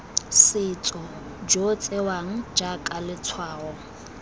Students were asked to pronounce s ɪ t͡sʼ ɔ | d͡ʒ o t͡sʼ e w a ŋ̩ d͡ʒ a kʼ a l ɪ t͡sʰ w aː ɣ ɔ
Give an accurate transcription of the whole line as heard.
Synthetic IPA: s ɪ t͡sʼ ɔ | d͡ʒ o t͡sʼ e w a ŋ̩ d͡ʒ a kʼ a l ɪ t͡sʰ w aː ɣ ɔ